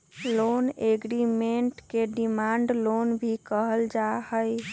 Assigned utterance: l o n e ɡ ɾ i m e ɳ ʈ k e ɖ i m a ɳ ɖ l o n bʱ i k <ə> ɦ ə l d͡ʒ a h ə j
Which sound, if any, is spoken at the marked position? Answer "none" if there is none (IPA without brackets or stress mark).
ə